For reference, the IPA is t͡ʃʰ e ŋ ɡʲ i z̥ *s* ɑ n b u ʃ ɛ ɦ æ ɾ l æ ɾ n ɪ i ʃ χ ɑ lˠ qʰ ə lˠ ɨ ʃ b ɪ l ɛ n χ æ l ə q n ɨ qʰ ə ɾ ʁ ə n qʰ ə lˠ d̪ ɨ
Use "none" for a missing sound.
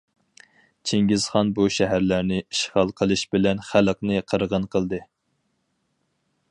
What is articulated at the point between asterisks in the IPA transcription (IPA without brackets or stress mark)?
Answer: χ